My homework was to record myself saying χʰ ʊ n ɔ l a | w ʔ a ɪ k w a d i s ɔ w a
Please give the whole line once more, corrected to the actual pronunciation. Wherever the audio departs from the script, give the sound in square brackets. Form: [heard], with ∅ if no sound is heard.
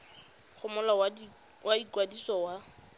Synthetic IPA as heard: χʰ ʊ [m] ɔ l a | w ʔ a [i] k w a d i s ɔ w a